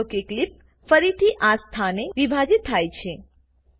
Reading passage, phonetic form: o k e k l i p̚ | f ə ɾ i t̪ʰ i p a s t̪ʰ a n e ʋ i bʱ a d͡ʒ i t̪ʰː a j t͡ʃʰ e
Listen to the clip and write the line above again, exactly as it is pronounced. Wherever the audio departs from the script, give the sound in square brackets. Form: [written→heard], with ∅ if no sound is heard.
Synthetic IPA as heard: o k e k l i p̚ | f ə ɾ i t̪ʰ i [p→ʔ] a s t̪ʰ a n e ʋ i bʱ a d͡ʒ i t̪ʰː a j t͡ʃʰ e

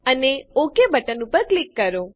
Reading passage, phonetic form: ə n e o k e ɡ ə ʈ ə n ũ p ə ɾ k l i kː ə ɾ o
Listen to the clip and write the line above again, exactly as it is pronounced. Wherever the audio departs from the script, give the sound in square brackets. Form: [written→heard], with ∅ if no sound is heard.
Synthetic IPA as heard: ə n e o k e [ɡ→b] ə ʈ ə n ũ p ə ɾ k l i kː ə ɾ o

